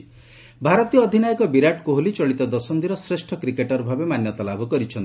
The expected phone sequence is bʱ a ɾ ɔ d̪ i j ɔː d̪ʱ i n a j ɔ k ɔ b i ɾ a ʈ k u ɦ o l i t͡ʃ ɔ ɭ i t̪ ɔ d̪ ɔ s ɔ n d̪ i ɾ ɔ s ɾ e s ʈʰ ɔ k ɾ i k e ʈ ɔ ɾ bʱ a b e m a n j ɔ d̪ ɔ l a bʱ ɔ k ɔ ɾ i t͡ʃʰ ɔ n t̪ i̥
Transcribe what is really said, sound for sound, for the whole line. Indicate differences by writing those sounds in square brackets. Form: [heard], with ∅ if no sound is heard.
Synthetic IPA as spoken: bʱ a ɾ ɔ [t̪] i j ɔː d̪ʱ i n a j ɔ k ɔ b i ɾ a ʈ k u ɦ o l i t͡ʃ ɔ ɭ i t̪ ɔ d̪ ɔ s ɔ n d̪ i ɾ ɔ s ɾ e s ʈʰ ɔ k ɾ i k e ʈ ɔ ɾ bʱ a b e m a n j ɔ [t̪] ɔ l a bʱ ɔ k ɔ ɾ i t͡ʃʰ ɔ n t̪ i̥